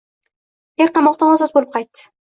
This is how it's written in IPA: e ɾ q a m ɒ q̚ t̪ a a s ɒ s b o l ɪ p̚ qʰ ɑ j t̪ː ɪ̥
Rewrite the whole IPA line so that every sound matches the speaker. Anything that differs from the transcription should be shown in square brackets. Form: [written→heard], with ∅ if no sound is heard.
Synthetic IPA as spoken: e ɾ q [a→ɑ] m ɒ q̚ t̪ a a s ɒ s b o l ɪ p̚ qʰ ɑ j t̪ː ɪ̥